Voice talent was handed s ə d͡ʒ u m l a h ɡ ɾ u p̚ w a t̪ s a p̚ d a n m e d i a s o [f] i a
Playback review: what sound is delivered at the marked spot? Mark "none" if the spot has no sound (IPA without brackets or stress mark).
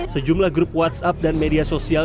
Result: s